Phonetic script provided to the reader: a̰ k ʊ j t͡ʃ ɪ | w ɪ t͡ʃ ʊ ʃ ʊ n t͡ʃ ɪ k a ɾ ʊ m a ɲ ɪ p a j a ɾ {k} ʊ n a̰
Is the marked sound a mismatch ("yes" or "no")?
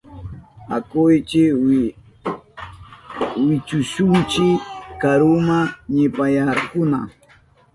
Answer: no